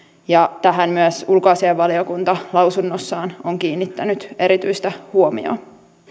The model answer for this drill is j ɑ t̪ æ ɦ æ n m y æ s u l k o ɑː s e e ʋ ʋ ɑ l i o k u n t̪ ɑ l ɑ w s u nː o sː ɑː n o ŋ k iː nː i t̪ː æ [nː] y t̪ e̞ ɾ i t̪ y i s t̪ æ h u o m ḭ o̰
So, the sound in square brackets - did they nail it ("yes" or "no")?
no